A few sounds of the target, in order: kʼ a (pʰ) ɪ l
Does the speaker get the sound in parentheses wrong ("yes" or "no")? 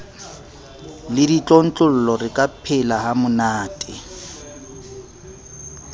no